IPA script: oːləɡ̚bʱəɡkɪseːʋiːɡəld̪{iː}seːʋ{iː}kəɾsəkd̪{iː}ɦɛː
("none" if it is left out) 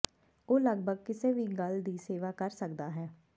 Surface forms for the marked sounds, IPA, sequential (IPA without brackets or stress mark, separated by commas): iː, aː, aː